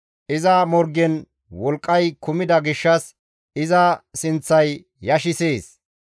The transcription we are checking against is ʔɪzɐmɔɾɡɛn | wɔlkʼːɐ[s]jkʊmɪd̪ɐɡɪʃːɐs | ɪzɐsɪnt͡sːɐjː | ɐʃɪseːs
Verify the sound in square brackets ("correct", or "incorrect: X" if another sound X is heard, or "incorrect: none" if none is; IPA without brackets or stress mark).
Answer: incorrect: none